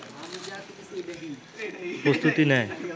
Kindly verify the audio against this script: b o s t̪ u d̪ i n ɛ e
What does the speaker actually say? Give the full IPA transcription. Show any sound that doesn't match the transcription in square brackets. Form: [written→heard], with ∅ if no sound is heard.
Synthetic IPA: [b→p] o s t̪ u [d̪→t̪] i n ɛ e